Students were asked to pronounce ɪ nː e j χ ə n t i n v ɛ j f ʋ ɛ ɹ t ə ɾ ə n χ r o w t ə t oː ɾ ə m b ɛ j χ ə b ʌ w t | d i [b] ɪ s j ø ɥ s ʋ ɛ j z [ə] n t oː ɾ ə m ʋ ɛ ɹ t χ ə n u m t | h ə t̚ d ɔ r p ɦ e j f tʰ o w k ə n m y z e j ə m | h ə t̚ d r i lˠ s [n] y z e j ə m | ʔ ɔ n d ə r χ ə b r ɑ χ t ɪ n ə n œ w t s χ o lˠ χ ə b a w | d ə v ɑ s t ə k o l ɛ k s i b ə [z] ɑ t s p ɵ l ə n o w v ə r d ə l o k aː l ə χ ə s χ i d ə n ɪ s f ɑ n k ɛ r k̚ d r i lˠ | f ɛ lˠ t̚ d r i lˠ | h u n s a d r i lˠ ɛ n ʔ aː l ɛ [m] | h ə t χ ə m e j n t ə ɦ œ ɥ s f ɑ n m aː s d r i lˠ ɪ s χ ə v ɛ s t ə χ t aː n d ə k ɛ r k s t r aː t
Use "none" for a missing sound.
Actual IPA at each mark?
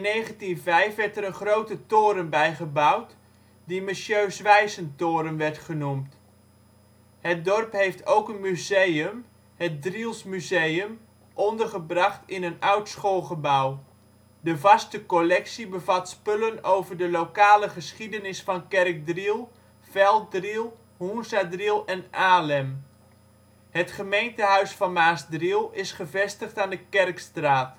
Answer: m, ə, m, v, m

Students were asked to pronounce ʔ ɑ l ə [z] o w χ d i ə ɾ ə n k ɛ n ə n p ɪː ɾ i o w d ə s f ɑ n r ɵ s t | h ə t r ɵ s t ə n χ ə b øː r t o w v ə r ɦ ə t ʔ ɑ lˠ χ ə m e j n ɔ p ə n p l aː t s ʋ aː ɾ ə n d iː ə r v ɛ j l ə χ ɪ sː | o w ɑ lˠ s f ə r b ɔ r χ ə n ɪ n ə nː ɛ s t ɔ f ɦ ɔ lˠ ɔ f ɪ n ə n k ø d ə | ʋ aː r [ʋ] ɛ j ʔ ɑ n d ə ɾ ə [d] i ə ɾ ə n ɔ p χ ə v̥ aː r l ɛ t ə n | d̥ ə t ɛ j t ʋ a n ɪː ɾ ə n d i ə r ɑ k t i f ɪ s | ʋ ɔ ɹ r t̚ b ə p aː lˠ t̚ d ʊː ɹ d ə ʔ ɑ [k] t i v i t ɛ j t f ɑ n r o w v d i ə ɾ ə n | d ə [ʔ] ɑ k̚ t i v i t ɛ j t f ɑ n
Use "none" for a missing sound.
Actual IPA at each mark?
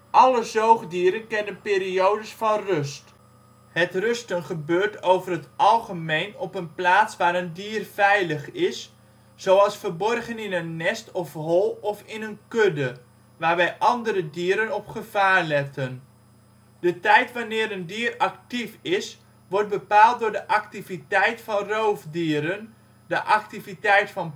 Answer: z, ʋ, d, k, ʔ

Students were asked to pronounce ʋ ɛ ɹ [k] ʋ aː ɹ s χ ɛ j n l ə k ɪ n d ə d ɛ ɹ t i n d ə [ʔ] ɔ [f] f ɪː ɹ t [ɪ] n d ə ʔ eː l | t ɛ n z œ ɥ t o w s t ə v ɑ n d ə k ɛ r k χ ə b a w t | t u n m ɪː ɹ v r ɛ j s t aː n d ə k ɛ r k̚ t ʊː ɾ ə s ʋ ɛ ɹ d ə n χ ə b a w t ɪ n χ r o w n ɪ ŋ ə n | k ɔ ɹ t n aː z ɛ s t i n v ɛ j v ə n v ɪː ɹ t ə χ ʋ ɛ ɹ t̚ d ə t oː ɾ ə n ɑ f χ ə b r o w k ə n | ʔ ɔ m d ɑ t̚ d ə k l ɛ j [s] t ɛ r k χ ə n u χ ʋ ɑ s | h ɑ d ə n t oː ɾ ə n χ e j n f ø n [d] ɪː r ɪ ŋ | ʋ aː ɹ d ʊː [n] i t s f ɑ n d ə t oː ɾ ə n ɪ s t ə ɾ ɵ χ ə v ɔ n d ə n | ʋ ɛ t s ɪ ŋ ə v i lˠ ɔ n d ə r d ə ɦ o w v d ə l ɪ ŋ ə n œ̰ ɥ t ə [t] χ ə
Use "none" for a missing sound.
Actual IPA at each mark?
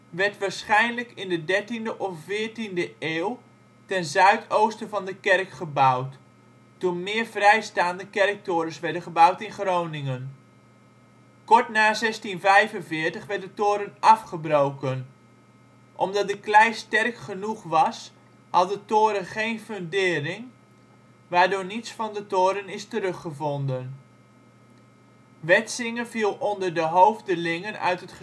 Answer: t, ʔ, f, i, s, d, n, t

